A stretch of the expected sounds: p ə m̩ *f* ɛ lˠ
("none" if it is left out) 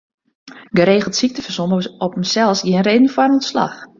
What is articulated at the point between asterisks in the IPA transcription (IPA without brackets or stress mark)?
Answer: s